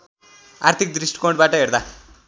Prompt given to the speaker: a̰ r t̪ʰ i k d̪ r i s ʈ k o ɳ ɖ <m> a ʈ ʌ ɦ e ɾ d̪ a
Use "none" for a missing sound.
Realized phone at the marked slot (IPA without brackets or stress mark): b